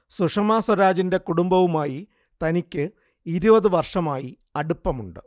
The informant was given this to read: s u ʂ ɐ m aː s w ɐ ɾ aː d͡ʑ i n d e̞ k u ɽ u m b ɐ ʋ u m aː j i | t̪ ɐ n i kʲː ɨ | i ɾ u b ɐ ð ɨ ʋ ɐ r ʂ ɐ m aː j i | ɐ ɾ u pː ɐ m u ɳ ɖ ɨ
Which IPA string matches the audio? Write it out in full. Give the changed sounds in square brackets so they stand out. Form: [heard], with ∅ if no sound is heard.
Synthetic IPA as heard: s u ʂ ɐ m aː s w ɐ ɾ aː d͡ʑ i n d e̞ k u ɽ u m b ɐ ʋ u m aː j i | t̪ ɐ n i kʲː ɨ | i ɾ u b ɐ ð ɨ ʋ ɐ r ʂ ɐ m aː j i | ɐ [ɽ] u pː ɐ m u ɳ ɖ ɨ